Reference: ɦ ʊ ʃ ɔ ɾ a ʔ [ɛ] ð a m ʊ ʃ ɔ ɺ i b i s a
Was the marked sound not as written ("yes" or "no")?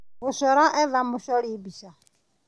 no